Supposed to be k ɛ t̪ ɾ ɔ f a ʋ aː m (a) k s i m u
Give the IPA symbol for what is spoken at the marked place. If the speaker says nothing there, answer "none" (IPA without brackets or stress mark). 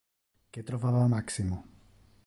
a